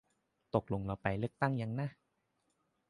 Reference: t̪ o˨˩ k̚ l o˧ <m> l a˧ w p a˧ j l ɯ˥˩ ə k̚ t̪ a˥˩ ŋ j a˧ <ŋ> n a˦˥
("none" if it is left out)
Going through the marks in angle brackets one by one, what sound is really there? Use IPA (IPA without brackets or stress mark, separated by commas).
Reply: ŋ, ŋ